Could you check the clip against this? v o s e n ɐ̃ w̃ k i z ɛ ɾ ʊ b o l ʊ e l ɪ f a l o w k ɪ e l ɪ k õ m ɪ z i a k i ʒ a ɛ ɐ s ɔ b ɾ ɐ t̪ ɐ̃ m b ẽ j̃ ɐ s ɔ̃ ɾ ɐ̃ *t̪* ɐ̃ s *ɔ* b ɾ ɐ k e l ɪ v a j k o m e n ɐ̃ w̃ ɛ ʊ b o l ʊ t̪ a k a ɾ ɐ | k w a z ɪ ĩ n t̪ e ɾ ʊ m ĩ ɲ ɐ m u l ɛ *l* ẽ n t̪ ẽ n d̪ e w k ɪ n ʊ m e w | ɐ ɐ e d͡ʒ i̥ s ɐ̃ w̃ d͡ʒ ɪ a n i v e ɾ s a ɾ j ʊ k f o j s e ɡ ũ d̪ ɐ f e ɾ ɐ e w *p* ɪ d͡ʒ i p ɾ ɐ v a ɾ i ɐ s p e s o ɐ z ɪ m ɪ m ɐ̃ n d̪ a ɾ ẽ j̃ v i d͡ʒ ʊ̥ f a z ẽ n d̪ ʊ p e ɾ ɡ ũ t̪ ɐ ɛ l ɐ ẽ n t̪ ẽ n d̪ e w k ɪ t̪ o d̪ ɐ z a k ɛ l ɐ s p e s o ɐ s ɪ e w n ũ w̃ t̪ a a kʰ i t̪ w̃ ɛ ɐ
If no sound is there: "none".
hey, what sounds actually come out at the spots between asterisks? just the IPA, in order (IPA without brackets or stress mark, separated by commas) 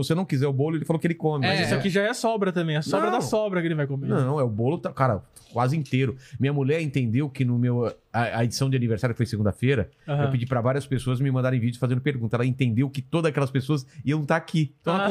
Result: d̪, ɔ, ɾ, p